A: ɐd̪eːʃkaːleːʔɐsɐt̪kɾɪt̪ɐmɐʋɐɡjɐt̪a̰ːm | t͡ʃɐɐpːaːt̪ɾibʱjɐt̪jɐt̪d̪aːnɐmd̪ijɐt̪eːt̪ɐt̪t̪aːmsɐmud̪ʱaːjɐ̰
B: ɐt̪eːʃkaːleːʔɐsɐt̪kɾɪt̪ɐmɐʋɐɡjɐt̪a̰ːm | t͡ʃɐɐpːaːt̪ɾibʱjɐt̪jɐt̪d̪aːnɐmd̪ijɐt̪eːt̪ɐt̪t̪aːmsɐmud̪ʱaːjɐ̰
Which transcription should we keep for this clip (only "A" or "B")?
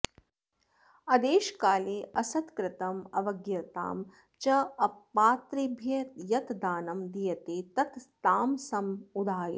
A